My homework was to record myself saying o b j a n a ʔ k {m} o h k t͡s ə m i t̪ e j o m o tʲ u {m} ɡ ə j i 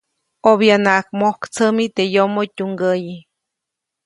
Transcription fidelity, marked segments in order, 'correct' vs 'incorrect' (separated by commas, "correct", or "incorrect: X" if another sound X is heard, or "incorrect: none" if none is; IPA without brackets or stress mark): correct, incorrect: ŋ